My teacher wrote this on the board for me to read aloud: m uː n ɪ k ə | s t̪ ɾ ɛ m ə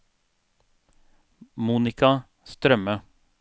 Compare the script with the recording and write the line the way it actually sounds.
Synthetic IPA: m uː n ɪ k ɑ | s t̪ ɾ œ m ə